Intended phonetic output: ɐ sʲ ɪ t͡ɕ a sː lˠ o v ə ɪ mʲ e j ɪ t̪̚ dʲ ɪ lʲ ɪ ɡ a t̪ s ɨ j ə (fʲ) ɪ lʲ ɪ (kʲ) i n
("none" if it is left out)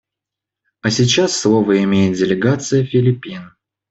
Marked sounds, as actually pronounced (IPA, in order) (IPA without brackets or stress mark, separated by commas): fʲ, pʲ